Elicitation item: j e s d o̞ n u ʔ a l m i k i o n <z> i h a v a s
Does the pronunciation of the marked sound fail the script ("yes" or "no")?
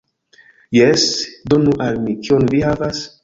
yes